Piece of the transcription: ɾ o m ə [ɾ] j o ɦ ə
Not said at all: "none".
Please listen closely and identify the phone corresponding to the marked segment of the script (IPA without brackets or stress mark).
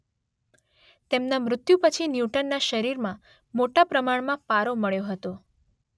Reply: ɭ